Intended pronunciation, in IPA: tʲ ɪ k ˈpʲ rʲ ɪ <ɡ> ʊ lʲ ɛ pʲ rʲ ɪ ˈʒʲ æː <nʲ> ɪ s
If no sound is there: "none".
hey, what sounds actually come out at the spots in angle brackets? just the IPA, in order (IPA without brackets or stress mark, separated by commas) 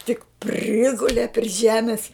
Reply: ɡ, mʲ